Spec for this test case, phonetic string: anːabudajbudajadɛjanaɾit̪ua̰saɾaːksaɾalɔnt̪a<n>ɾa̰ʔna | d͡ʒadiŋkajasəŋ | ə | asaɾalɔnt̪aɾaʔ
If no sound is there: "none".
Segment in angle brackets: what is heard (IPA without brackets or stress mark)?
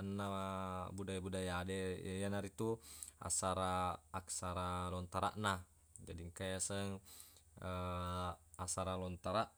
none